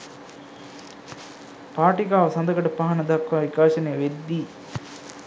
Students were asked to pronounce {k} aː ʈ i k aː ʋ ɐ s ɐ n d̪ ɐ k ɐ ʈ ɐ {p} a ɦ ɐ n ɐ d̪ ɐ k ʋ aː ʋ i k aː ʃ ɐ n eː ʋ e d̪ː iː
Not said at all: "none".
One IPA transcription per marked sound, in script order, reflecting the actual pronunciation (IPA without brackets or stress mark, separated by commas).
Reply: p, p